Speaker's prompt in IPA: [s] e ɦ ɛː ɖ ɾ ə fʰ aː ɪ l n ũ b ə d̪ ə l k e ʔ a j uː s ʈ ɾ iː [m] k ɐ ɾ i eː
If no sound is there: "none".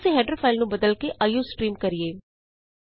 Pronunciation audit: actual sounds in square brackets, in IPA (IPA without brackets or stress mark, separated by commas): s, m